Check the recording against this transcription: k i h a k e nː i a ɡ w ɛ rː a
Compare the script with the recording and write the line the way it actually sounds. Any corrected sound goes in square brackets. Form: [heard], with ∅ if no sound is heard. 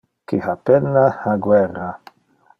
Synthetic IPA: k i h a [p] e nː [a] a ɡ w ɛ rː a